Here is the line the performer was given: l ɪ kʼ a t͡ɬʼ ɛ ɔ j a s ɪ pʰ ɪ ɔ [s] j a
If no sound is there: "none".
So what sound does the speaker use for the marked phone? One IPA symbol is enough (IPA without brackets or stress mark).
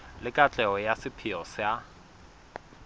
s